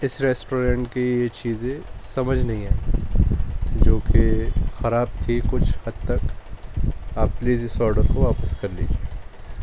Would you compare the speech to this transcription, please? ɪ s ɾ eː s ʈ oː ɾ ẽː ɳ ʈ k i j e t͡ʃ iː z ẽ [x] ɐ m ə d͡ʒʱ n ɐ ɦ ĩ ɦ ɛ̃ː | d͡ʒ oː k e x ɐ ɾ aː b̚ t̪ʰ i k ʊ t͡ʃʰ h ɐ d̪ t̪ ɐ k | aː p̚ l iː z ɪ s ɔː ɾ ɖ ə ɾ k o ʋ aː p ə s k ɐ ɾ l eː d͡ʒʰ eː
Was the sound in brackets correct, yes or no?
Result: no